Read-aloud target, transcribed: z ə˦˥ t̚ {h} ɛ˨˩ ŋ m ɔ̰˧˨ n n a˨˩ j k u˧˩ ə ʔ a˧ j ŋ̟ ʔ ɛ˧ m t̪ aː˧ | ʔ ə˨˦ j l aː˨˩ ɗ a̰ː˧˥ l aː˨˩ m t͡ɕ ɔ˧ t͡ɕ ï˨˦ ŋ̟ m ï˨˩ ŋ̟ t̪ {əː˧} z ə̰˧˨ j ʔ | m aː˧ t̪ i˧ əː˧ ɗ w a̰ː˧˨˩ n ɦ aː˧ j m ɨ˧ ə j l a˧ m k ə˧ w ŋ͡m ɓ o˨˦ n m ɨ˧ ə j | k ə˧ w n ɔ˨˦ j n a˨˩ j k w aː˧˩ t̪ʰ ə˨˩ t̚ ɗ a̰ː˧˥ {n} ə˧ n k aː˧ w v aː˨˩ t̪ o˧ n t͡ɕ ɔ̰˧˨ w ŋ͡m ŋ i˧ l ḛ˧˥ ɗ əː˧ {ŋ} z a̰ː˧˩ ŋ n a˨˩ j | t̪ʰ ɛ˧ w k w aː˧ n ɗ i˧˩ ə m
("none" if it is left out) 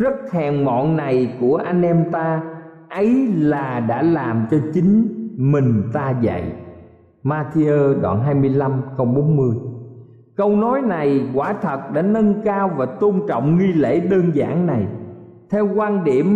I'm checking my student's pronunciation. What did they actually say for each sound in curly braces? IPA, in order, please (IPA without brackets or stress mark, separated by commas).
h, aː˧, n, n